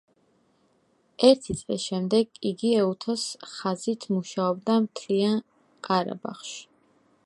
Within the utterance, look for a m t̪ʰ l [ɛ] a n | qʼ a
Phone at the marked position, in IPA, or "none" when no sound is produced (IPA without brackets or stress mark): i